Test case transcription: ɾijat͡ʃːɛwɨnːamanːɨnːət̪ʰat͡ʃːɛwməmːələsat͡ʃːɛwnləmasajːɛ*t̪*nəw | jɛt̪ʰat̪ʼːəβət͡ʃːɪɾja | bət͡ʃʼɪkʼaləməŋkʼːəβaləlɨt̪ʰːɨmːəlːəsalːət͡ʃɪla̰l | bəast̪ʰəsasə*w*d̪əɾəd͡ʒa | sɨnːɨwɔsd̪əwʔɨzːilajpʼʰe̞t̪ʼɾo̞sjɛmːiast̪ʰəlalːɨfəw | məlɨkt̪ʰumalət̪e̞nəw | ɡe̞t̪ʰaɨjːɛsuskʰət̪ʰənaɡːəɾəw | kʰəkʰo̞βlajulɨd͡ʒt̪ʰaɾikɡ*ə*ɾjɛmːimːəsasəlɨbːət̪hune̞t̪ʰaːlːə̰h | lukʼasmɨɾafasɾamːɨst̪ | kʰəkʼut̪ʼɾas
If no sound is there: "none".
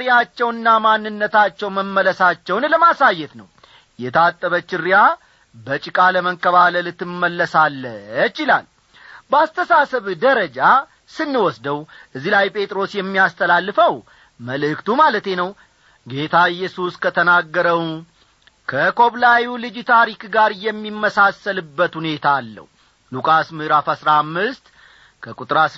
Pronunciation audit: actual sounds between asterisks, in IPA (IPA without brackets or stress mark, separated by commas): t̪, β, a